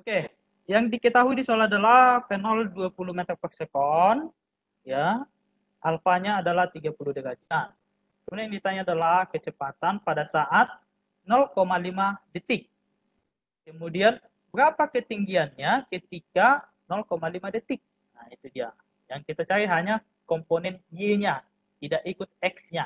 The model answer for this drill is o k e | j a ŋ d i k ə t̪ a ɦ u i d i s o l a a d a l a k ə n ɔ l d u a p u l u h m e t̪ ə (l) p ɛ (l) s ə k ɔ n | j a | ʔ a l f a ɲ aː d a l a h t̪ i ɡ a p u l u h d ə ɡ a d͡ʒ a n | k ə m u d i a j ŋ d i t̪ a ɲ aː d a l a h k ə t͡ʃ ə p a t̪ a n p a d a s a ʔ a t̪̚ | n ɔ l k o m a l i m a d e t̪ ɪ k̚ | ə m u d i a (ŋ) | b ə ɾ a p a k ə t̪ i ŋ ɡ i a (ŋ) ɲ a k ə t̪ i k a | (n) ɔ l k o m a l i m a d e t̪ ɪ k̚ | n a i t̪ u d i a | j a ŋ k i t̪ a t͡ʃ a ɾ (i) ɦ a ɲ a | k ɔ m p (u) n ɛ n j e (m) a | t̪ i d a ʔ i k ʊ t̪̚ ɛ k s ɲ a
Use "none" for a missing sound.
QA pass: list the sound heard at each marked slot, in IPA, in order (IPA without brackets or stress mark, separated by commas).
r, r, n, n, n, i, o, ɲ